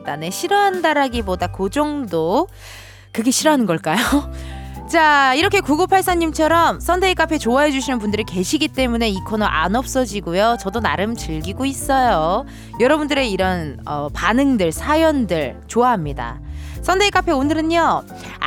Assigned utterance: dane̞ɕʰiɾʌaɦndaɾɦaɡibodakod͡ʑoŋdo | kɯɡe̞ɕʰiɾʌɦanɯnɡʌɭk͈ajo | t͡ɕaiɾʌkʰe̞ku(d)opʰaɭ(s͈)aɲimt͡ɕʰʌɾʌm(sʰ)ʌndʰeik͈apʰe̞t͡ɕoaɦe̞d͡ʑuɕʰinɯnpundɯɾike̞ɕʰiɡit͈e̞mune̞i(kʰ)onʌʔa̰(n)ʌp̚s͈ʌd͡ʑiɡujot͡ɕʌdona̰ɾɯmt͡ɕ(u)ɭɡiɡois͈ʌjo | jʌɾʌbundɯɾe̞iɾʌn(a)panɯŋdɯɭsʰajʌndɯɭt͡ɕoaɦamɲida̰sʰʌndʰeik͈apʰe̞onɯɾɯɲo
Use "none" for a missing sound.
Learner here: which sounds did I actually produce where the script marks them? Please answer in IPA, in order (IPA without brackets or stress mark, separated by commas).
ɡ, s͈, sʰ, kʰ, n, ɯ, ʌ